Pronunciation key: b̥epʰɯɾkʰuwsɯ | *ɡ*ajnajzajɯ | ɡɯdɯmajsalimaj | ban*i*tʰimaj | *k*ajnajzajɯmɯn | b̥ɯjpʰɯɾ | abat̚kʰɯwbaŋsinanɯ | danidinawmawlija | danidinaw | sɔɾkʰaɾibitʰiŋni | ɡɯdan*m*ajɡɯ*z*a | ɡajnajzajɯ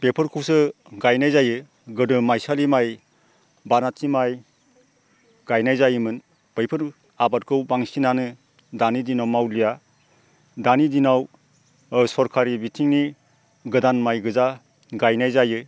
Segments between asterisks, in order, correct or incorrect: correct, incorrect, incorrect, correct, correct

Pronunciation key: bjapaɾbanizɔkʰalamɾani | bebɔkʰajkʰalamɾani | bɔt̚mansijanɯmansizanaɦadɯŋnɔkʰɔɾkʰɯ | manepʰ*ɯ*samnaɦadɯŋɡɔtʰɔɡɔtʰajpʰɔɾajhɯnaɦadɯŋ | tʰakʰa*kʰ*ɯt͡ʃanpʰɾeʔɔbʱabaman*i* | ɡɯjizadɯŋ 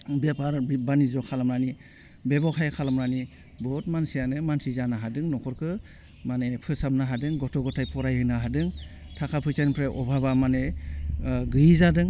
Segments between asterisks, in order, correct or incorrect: correct, incorrect, incorrect

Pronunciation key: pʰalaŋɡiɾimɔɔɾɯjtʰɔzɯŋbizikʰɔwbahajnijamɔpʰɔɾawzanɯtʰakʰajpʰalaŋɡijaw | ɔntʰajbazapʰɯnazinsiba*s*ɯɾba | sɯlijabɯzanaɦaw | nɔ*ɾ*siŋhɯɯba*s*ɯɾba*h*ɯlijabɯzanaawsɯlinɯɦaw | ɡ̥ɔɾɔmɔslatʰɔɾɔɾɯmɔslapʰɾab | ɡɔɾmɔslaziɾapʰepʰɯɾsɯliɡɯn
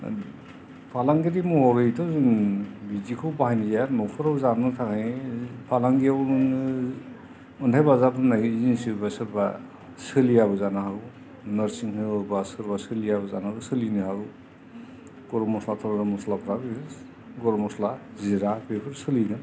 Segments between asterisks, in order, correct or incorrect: correct, correct, correct, incorrect

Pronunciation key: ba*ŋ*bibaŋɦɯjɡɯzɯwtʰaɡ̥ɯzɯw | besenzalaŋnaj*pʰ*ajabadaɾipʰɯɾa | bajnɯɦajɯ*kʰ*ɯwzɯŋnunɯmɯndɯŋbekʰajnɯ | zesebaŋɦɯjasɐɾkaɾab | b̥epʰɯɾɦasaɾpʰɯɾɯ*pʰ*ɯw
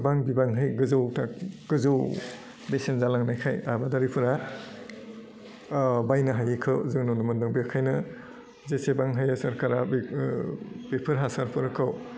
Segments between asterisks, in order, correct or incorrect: correct, incorrect, correct, incorrect

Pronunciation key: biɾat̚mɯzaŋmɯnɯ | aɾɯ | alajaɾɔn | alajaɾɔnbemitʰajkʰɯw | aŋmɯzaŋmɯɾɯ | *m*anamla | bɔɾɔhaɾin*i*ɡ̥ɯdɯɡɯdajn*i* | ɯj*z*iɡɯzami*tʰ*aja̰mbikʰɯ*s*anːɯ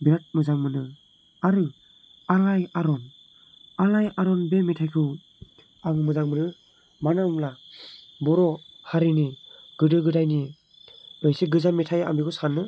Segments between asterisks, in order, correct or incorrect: correct, correct, correct, incorrect, correct, correct

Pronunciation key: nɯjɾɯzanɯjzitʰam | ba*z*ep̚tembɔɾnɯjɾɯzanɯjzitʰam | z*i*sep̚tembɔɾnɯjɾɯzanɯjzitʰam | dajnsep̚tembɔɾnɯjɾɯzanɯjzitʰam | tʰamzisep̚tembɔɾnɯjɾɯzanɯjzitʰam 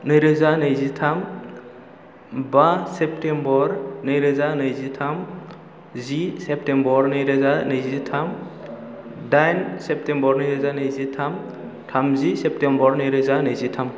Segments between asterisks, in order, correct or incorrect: incorrect, correct

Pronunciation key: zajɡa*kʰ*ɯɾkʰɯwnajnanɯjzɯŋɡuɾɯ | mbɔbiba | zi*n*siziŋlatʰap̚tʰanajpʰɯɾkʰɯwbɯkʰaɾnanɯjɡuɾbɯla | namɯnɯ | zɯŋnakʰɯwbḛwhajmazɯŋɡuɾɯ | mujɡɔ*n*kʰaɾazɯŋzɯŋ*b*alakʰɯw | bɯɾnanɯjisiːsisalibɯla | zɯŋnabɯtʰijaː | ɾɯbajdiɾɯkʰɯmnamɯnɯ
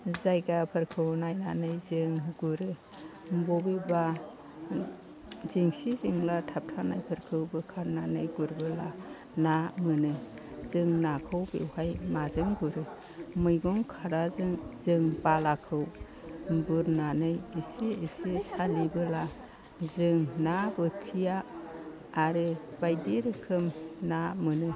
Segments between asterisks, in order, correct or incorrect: incorrect, incorrect, incorrect, correct

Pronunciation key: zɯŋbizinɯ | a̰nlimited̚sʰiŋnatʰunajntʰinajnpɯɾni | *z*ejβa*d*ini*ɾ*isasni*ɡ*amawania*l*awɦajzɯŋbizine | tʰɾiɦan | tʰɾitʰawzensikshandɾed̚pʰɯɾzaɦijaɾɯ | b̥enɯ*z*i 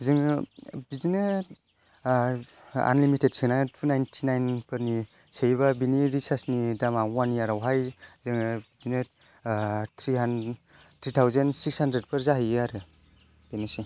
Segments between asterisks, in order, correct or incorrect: incorrect, incorrect, correct, incorrect, incorrect, incorrect

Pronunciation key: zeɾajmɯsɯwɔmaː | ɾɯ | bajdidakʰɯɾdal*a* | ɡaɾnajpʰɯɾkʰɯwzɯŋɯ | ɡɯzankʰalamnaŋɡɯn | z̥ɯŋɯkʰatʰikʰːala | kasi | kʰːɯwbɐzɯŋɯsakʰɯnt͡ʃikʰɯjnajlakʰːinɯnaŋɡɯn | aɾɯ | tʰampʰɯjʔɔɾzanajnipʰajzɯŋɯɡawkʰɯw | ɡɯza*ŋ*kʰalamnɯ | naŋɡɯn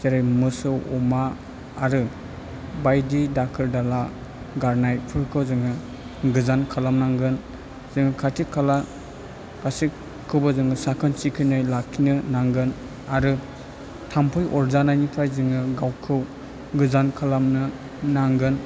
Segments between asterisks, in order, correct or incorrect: correct, incorrect

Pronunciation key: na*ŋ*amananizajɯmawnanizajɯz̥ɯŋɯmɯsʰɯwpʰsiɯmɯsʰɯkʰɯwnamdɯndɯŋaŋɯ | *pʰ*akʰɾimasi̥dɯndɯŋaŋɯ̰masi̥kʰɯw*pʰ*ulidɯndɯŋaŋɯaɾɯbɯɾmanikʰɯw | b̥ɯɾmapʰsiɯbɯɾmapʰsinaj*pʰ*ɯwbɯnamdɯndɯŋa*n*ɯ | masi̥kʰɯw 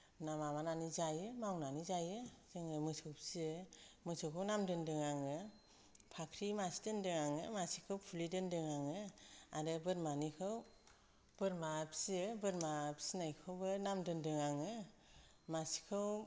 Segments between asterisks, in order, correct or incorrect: incorrect, correct, correct, incorrect, incorrect

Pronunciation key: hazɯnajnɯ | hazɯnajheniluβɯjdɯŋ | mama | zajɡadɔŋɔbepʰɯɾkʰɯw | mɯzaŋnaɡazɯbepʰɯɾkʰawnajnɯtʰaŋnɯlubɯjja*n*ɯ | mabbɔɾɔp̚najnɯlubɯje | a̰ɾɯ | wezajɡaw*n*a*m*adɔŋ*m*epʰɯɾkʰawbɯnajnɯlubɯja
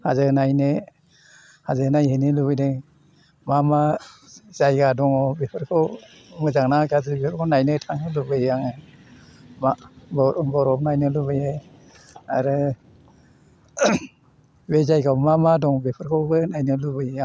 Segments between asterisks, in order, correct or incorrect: incorrect, incorrect, correct, incorrect

